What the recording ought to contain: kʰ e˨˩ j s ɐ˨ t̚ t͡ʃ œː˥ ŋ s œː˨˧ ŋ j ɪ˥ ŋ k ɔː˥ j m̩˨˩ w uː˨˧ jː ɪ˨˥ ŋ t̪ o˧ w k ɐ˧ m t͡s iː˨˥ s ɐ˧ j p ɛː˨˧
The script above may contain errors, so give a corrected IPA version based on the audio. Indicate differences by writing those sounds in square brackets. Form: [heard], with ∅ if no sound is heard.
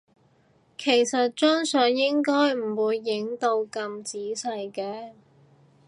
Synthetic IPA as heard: kʰ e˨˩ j s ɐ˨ t̚ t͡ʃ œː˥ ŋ s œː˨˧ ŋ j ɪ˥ ŋ k ɔː˥ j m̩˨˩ w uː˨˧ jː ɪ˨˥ ŋ t̪ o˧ w k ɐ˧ m t͡s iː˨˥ s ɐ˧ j [k] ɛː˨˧

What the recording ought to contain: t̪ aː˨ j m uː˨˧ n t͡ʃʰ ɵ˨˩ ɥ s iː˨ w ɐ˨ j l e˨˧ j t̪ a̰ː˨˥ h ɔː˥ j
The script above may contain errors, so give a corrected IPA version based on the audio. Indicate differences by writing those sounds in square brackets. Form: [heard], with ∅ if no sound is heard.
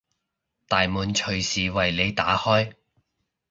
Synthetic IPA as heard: t̪ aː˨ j m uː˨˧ n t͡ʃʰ ɵ˨˩ ɥ s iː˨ w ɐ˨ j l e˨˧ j t̪ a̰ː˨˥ h ɔː˥ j

